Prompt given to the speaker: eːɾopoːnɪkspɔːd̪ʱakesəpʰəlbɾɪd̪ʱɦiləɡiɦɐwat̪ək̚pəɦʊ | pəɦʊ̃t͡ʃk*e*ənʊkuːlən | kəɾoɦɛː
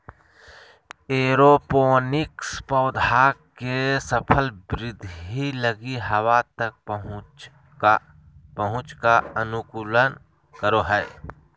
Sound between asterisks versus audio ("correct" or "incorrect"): incorrect